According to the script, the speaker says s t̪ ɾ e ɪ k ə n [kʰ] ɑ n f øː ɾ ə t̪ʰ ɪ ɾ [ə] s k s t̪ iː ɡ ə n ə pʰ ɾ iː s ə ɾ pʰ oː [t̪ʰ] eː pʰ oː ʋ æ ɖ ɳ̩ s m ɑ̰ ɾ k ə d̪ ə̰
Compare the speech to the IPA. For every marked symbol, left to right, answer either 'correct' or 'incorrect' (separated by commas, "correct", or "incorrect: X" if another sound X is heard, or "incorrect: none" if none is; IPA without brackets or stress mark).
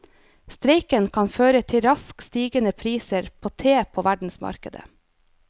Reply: correct, incorrect: ɑ, correct